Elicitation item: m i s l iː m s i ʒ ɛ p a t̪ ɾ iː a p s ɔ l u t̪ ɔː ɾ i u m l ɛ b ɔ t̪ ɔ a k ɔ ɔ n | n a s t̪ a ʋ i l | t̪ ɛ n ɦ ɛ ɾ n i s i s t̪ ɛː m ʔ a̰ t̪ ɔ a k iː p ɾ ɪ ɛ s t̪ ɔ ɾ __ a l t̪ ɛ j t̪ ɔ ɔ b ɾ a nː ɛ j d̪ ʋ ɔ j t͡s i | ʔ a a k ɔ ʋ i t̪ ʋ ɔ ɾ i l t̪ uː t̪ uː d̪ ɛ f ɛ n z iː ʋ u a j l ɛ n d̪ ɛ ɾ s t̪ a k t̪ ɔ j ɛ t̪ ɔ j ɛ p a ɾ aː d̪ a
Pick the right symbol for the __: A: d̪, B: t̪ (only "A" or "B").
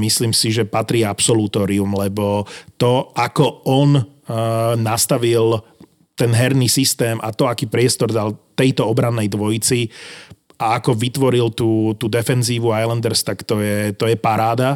A